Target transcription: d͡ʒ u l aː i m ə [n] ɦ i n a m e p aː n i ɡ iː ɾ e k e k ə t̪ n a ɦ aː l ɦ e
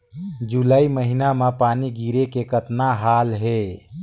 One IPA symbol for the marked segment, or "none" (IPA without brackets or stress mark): none